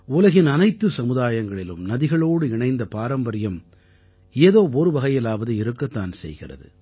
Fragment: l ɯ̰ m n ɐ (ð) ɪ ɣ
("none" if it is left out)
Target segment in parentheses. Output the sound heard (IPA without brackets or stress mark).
ð